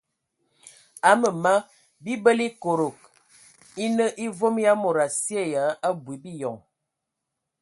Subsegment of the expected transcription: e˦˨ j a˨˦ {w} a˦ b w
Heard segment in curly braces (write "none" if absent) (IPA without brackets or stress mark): none